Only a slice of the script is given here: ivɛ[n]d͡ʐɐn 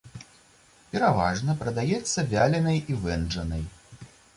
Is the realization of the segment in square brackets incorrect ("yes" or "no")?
no